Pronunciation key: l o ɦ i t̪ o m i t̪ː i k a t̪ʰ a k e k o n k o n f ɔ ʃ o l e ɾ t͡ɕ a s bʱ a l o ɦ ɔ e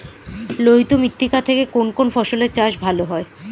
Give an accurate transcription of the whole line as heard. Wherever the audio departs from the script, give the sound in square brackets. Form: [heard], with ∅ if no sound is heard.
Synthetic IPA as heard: l o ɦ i t̪ o m i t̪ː i k a t̪ʰ [e] k e k o n k o n f ɔ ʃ o l e ɾ t͡ɕ a [ʃ] bʱ a l o ɦ ɔ e